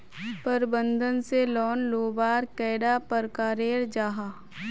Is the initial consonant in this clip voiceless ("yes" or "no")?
yes